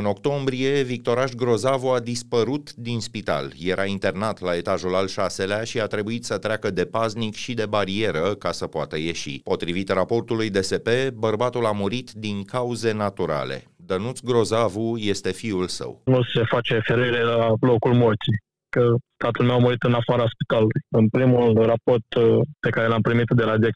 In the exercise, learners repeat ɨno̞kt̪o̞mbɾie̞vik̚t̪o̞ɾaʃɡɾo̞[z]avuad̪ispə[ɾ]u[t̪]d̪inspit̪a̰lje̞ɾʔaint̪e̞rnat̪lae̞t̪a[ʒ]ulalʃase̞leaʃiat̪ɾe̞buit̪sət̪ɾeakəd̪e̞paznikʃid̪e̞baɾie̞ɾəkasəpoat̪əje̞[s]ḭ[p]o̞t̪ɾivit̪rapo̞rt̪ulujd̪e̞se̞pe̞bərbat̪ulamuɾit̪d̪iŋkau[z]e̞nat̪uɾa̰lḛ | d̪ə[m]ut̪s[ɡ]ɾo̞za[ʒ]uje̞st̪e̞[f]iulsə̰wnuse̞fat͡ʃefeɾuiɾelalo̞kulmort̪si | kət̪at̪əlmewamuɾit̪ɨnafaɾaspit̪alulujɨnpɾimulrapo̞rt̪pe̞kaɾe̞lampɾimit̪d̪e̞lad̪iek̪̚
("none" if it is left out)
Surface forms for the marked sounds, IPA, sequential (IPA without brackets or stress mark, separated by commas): z, ɾ, t̪, ʒ, ʃ, p, z, n, ɡ, v, f